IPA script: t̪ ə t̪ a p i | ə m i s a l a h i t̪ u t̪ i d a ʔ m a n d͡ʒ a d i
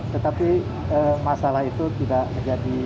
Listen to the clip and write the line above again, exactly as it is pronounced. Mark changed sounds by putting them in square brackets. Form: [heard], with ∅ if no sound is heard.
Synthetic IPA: t̪ ə t̪ a p i | ə m [a] s a l a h i t̪ u t̪ i d a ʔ m [ə] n d͡ʒ a d i